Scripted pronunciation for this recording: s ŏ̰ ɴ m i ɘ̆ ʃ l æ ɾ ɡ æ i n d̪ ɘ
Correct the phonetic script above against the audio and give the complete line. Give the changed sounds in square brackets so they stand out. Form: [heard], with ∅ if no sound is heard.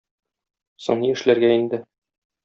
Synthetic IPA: s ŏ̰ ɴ [n] i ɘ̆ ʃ l æ ɾ ɡ æ i n d̪ ɘ